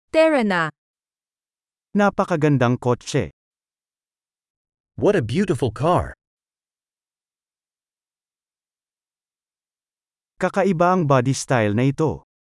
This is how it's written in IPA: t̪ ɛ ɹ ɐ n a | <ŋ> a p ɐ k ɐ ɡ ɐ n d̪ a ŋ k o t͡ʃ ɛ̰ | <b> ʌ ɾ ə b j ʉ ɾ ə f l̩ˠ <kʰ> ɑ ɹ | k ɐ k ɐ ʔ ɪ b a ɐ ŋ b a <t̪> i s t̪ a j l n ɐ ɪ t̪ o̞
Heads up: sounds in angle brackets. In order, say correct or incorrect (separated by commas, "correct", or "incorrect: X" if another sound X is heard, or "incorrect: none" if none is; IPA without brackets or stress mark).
incorrect: n, incorrect: w, correct, incorrect: d̪